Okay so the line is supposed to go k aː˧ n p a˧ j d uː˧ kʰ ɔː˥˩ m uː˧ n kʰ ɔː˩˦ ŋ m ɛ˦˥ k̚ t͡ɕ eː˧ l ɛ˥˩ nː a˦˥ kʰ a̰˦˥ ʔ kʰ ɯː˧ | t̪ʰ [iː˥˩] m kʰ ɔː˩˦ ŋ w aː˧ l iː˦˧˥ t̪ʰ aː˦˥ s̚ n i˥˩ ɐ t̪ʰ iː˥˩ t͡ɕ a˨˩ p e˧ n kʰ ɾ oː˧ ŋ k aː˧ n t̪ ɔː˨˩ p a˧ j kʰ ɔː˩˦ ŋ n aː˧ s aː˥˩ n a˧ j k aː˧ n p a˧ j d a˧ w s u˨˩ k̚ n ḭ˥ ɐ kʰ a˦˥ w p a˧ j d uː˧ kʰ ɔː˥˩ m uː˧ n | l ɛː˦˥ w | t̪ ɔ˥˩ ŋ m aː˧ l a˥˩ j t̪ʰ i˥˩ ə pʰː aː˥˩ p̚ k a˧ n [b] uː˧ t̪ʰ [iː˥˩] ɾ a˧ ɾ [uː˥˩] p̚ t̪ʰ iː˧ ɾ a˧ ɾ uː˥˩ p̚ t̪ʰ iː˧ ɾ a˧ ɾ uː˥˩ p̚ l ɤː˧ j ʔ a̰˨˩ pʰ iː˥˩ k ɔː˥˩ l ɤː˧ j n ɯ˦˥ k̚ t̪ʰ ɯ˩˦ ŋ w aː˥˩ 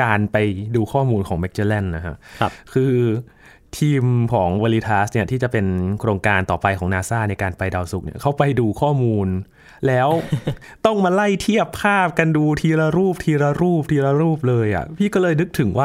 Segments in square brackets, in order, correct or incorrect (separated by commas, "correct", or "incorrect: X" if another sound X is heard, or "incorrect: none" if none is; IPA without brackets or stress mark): incorrect: iː˧, incorrect: d, incorrect: iː˧, correct